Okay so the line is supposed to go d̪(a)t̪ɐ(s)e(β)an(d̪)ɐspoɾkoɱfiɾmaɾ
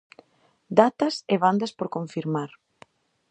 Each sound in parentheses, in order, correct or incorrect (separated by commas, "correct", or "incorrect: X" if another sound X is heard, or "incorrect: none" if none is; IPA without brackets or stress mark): correct, correct, correct, correct